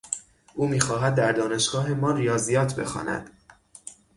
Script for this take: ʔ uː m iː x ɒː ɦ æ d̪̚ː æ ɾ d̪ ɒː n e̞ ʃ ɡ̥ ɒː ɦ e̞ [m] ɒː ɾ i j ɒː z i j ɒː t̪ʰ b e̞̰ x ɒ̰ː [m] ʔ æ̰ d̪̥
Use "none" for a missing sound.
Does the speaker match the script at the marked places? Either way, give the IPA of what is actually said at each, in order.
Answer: m, n

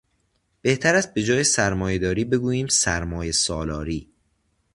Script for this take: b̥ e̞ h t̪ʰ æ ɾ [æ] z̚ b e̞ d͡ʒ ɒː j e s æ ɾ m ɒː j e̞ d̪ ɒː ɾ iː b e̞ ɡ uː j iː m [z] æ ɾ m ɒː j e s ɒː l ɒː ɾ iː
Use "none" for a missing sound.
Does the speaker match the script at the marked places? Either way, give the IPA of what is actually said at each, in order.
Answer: æ, s

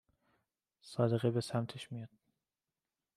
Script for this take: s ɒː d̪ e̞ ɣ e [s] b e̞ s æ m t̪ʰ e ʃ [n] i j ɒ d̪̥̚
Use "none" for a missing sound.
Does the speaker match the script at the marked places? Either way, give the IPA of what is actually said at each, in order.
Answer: none, m

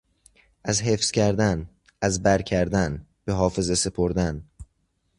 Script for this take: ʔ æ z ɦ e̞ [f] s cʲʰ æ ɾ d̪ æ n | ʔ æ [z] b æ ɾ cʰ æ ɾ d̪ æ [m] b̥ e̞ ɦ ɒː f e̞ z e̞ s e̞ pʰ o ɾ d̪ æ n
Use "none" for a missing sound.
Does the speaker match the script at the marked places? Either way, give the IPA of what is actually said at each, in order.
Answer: f, z, n

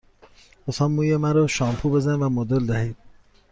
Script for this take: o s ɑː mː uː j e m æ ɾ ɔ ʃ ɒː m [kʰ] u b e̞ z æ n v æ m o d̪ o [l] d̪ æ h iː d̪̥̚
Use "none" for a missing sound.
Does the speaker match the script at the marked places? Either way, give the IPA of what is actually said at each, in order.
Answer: pʰ, l

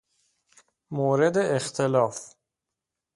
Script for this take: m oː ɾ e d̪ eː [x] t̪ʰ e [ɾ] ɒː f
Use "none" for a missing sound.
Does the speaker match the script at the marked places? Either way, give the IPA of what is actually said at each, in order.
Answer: x, l

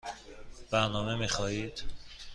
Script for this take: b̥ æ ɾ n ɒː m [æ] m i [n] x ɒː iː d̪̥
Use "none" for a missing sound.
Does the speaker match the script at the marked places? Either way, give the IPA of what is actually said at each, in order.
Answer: e, none

